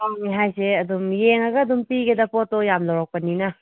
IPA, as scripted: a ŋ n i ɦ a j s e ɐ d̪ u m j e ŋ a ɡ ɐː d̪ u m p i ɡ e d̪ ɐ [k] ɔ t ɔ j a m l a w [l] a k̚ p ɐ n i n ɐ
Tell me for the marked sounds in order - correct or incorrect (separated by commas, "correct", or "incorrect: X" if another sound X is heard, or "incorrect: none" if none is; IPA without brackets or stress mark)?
incorrect: p, incorrect: ɾ